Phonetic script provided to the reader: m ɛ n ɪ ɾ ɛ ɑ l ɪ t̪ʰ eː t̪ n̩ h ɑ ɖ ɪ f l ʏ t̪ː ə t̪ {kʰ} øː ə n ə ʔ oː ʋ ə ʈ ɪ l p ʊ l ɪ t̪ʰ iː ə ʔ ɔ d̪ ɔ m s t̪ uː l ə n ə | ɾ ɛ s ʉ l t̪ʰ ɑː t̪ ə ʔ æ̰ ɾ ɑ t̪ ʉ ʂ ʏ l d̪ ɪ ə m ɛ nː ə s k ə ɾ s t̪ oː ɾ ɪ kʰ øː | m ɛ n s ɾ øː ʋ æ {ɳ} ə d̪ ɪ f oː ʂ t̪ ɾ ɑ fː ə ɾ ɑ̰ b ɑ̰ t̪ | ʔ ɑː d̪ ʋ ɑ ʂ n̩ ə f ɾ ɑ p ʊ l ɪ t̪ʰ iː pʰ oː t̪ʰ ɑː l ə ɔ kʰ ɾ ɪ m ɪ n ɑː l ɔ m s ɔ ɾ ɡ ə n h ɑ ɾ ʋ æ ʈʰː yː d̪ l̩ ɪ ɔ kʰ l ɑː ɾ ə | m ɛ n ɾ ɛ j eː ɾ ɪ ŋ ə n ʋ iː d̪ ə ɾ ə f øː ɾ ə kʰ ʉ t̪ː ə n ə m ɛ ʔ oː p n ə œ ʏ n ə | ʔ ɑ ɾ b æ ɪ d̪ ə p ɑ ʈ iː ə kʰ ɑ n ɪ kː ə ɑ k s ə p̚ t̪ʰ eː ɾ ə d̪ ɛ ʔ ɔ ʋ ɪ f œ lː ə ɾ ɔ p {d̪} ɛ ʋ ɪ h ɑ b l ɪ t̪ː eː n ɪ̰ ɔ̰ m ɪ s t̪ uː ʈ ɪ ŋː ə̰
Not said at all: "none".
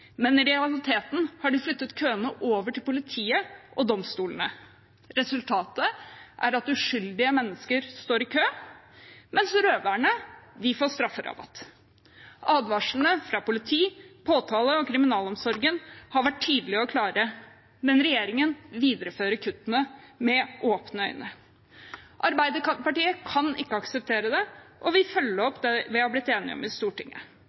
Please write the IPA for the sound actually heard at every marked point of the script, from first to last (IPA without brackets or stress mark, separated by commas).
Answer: kʰ, ɳ, d̪